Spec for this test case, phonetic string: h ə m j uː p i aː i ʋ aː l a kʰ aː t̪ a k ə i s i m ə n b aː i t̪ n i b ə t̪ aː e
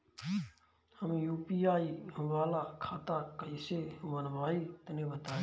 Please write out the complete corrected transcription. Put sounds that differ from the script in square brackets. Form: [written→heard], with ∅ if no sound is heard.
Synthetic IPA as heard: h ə m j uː p i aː i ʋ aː l a kʰ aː t̪ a k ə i s [i→e] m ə n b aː i t̪ n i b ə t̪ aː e